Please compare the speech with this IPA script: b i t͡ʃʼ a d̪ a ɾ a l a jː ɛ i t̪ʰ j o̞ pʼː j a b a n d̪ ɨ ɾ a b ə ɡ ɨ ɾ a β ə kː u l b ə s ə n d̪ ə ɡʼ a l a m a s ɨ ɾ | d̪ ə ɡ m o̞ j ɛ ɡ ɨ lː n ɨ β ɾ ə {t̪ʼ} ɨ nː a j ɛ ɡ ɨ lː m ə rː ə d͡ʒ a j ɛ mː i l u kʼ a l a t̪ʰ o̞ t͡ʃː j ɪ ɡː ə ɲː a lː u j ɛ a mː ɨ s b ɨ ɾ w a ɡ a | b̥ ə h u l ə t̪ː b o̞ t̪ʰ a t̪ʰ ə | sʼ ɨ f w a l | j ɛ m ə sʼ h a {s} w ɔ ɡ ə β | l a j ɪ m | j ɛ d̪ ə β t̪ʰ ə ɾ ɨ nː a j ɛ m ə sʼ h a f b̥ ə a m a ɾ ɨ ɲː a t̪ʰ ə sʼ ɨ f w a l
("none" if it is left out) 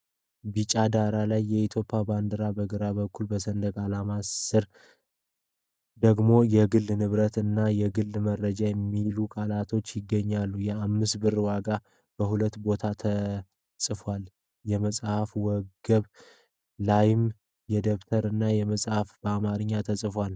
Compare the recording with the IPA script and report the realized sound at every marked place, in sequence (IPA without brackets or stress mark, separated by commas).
t̪, f